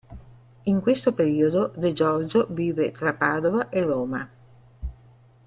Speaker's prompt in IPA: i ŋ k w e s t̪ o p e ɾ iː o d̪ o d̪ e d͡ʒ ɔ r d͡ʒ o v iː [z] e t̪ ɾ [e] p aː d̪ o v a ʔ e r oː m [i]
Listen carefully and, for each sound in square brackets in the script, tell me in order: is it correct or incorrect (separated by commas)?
incorrect, incorrect, incorrect